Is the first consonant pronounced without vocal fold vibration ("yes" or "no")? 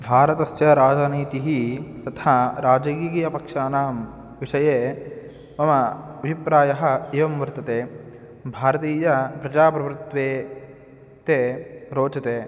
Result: no